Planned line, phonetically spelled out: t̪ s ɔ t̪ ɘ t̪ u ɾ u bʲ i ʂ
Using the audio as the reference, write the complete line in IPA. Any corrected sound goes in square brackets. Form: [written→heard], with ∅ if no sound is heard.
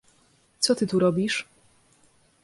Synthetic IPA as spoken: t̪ s ɔ t̪ ɘ t̪ u ɾ [u→ɔ] bʲ i ʂ